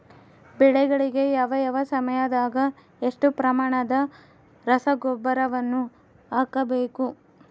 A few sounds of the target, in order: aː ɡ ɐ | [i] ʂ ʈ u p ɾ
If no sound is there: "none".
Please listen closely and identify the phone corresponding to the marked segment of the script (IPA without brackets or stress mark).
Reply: e